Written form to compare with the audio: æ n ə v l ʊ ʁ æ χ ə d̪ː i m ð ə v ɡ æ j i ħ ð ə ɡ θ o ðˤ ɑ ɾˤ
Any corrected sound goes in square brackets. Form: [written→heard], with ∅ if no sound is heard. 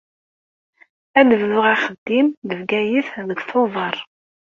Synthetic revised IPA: æ n ə v l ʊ ʁ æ χ ə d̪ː i m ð ə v ɡ æ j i [ħ→θ] ð ə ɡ θ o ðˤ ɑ ɾˤ